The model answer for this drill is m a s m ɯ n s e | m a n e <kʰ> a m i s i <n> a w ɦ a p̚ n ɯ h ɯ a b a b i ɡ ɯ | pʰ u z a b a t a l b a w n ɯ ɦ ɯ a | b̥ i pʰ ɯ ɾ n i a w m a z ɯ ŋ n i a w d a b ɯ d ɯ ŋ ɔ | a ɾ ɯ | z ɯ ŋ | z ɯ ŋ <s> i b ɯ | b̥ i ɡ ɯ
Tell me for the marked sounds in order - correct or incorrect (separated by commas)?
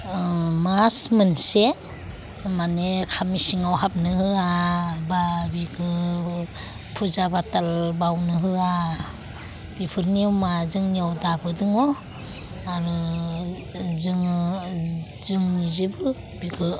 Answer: correct, incorrect, incorrect